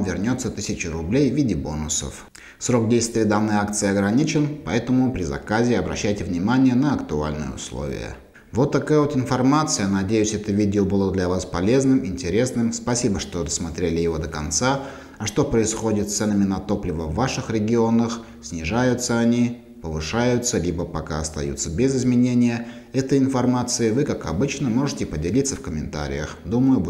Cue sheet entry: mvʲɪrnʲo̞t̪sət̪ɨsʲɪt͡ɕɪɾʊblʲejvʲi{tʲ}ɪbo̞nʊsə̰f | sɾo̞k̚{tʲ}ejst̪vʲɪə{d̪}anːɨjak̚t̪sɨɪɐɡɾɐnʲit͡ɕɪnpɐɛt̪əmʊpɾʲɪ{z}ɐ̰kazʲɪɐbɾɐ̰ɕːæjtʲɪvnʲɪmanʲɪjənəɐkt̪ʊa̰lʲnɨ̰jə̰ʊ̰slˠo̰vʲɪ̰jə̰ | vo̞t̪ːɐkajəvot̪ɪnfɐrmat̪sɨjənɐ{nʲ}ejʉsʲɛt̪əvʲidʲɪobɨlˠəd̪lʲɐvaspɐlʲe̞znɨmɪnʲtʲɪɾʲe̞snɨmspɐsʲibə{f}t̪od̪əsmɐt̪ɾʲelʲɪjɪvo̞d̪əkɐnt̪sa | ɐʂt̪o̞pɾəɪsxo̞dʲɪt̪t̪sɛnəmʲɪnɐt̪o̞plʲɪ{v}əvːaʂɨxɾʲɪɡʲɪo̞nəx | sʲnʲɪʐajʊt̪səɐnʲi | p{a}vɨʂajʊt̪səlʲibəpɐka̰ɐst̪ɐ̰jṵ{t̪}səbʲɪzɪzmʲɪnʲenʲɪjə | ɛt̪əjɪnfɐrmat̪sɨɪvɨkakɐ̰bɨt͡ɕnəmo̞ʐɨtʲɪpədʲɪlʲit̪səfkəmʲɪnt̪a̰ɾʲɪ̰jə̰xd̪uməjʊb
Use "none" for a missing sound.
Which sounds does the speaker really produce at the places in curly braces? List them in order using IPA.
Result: dʲ, dʲ, d̪, z, dʲ, ʂ, v, ə, t̪

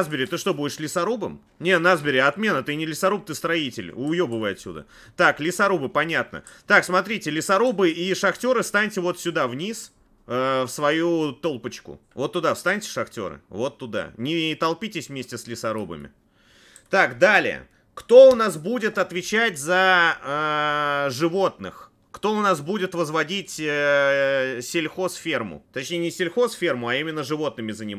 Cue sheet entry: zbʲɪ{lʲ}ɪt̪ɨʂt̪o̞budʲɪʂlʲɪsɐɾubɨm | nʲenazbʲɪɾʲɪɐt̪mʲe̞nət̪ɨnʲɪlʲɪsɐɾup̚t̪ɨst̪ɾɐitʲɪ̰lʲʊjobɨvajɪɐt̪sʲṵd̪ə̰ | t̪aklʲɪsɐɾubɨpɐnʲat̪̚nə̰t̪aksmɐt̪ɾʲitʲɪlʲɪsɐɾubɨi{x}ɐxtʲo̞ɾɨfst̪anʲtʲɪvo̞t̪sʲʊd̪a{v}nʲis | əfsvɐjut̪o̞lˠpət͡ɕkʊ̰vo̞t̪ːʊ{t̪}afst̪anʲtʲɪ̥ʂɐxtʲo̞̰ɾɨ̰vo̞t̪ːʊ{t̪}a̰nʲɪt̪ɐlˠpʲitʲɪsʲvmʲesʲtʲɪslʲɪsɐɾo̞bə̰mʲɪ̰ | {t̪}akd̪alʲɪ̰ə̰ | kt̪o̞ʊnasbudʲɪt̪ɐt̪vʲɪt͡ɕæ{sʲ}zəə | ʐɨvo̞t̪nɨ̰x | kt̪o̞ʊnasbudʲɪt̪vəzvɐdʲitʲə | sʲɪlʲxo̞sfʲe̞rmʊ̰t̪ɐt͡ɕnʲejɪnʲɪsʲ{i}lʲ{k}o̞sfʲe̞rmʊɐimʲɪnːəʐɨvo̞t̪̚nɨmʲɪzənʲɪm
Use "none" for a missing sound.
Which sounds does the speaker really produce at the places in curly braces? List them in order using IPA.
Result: ɾʲ, ʂ, v, d̪, d̪, t̪, tʲ, ɪ, x

